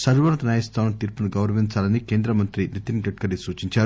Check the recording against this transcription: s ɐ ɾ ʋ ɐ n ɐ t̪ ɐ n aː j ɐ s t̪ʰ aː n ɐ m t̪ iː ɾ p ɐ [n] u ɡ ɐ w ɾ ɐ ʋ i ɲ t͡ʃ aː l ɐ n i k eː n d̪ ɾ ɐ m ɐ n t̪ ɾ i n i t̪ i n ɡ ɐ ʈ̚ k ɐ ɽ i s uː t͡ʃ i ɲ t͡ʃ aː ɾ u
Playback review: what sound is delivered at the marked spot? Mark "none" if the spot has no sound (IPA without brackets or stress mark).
n